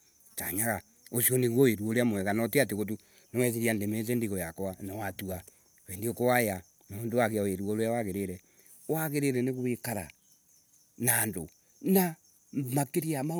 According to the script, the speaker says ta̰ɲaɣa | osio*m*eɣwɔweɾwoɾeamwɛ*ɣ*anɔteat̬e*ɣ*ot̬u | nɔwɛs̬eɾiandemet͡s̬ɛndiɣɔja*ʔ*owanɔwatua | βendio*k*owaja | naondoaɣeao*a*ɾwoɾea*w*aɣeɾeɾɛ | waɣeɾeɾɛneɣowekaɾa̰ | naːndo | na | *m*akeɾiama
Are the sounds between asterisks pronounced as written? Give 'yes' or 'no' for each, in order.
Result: no, yes, yes, no, yes, no, yes, yes

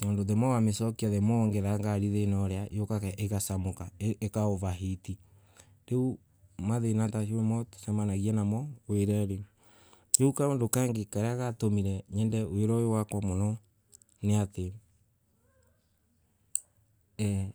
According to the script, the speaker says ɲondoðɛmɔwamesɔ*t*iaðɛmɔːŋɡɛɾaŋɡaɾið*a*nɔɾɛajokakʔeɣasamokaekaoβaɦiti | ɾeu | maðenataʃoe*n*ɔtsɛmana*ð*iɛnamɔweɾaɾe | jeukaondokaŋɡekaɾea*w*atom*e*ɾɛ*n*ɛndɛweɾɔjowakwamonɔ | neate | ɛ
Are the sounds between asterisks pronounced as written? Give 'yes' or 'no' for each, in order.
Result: no, no, no, no, no, no, no

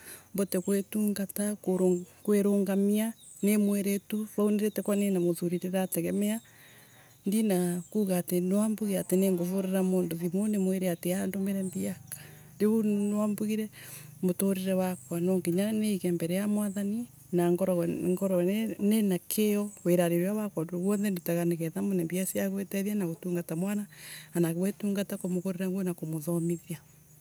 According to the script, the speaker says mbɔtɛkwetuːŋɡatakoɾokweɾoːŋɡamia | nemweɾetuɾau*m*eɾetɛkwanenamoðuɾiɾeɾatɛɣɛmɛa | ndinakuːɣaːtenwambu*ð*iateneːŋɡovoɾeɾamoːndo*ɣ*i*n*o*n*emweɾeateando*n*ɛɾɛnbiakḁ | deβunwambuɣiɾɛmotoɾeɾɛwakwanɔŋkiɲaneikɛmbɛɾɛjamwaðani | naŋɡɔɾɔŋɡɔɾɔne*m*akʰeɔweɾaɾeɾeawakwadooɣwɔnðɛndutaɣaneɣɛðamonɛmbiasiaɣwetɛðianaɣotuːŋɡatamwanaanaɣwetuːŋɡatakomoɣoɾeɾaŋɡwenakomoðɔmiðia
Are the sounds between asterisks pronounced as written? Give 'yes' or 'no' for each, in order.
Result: no, no, no, no, yes, no, no

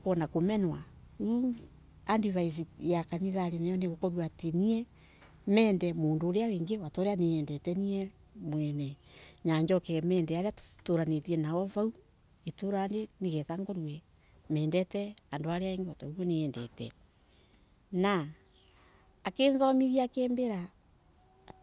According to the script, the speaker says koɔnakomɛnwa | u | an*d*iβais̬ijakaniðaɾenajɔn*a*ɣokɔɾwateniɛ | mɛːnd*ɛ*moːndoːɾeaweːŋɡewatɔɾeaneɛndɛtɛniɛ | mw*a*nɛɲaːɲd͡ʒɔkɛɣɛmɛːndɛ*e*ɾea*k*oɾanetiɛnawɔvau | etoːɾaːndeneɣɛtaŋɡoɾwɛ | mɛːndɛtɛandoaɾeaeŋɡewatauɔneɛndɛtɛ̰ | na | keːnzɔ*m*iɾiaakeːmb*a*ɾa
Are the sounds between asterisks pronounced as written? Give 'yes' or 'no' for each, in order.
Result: yes, no, yes, no, no, no, yes, no

